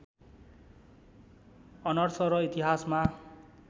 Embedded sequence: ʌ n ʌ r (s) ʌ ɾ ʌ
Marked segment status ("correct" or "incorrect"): correct